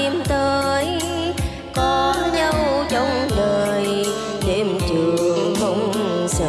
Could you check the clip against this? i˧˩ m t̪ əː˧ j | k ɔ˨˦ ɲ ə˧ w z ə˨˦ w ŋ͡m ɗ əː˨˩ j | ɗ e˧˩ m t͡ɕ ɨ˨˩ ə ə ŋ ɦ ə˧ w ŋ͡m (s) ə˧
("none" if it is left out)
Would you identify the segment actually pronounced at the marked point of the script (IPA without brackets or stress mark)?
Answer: s